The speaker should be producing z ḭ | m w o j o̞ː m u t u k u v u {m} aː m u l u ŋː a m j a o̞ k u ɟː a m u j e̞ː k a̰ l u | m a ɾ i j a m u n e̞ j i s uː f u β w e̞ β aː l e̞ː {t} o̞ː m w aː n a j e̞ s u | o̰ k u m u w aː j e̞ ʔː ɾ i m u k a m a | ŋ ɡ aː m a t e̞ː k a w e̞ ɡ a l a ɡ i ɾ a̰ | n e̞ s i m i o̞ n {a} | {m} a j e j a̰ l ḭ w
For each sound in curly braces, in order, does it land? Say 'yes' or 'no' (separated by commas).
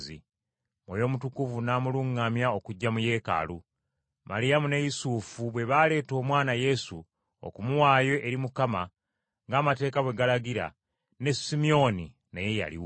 no, yes, no, no